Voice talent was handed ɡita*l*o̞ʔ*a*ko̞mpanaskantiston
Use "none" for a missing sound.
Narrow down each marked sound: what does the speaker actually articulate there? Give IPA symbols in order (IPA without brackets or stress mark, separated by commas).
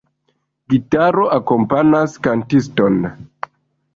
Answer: ɾ, a